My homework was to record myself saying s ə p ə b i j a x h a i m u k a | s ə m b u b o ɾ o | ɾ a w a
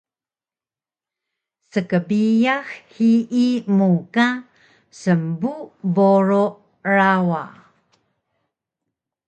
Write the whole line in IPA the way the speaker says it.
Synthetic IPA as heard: s ə k ə b i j a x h i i m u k a | s ə m b u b o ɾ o | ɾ a w a